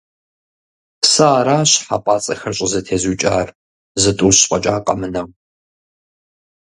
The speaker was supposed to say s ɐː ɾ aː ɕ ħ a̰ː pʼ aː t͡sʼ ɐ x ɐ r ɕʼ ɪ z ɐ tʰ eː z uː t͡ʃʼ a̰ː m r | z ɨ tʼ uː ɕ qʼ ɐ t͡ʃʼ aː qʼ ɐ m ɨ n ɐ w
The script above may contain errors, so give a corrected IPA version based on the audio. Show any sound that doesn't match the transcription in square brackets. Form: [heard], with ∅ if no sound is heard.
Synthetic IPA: s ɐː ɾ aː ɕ ħ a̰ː pʼ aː t͡sʼ ɐ x ɐ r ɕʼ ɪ z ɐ tʰ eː z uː t͡ʃʼ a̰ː [∅] r | z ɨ tʼ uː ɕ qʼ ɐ t͡ʃʼ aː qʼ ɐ m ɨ n ɐ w